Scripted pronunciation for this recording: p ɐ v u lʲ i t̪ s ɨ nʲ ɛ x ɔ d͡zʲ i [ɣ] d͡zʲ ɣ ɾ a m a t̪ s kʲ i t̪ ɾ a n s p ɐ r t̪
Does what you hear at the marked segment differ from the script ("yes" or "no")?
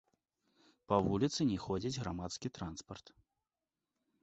yes